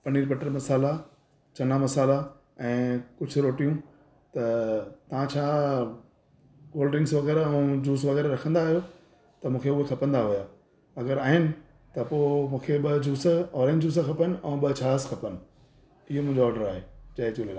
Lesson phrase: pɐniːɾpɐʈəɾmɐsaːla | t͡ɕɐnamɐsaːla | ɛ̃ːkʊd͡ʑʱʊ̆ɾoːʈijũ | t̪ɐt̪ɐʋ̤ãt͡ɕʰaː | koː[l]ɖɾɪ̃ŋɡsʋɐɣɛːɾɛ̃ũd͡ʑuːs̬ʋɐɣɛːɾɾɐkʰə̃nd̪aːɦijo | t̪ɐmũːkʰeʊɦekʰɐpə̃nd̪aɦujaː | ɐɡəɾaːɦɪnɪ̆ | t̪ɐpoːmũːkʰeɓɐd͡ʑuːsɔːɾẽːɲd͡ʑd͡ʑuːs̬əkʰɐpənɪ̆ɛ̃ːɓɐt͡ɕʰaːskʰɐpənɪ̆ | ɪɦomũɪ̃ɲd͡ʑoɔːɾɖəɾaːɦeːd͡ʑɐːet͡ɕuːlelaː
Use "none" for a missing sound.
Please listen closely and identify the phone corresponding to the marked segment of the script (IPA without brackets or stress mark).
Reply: l